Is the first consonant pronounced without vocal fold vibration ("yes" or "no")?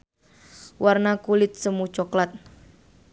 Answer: no